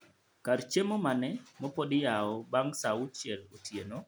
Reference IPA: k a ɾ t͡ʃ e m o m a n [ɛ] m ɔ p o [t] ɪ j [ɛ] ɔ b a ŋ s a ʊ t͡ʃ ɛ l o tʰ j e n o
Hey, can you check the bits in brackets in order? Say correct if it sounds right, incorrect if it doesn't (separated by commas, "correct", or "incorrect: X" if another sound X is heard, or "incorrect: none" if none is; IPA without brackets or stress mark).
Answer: correct, incorrect: d, incorrect: a